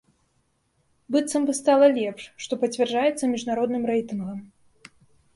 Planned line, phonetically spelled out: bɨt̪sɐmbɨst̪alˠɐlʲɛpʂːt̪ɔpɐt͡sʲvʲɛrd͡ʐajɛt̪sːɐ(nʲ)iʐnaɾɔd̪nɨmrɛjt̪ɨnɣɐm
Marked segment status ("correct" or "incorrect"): incorrect